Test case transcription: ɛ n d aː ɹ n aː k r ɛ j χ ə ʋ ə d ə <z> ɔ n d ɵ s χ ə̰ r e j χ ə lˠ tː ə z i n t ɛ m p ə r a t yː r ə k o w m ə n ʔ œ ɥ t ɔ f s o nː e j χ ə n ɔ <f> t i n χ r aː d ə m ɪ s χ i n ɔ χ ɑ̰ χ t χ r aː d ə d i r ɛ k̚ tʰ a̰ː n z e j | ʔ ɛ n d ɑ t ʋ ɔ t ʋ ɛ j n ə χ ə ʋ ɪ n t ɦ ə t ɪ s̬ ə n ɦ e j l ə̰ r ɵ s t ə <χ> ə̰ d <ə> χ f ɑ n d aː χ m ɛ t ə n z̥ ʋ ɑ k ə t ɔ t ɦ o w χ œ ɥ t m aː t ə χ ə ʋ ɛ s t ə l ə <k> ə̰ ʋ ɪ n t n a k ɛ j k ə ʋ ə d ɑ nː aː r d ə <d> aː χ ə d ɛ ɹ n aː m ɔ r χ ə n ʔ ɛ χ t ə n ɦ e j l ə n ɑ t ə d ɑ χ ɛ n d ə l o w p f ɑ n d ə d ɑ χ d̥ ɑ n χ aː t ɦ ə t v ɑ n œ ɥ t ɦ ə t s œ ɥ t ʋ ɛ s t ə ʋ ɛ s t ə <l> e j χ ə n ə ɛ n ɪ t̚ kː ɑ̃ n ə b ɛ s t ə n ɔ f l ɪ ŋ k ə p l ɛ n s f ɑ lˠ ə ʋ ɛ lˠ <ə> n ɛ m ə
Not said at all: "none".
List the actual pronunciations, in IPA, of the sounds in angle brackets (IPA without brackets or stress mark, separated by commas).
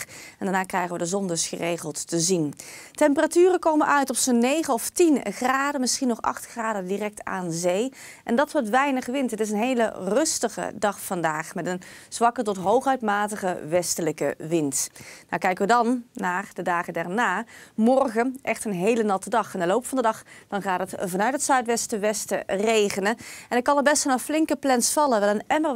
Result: z, f, χ, ɑ, k, d, r, ə